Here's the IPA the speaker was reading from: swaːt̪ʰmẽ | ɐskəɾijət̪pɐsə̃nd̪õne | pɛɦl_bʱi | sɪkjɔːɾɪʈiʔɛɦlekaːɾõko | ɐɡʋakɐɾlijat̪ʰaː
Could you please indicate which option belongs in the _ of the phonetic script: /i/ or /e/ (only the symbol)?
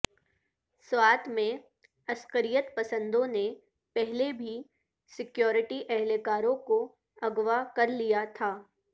e